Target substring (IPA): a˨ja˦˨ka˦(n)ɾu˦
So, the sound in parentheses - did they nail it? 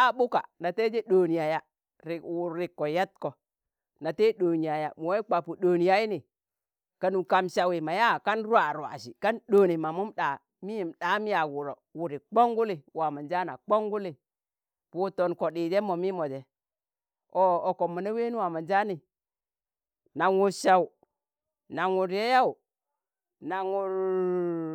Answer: yes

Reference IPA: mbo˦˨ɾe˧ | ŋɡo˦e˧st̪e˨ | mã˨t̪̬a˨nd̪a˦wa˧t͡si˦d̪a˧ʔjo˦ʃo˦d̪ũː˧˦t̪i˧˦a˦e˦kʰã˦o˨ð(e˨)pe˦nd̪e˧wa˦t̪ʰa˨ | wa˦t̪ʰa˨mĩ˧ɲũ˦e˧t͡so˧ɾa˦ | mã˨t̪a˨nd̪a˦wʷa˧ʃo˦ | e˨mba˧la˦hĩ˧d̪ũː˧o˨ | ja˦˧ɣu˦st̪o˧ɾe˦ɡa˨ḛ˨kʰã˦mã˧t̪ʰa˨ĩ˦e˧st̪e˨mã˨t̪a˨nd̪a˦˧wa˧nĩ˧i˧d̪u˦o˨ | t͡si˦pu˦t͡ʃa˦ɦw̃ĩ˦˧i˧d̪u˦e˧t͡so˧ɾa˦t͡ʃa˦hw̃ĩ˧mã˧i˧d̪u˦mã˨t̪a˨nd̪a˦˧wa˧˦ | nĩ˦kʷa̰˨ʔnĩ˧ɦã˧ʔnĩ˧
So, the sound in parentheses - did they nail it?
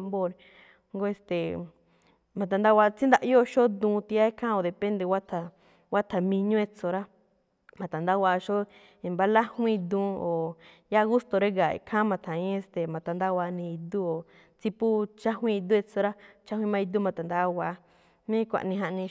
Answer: yes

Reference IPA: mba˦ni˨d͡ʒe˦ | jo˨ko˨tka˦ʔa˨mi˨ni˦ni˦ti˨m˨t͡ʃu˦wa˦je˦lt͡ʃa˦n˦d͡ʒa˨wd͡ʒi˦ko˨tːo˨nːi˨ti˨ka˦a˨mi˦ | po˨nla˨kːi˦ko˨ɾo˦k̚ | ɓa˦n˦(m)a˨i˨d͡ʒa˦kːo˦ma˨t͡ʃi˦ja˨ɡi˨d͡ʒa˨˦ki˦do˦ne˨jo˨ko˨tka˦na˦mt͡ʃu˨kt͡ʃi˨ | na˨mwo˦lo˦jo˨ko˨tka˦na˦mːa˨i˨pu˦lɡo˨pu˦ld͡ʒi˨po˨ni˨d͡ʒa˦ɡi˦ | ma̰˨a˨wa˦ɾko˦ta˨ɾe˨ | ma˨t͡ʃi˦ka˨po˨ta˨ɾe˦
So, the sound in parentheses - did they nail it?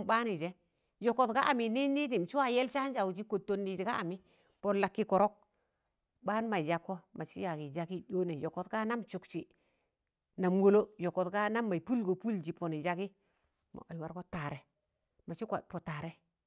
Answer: yes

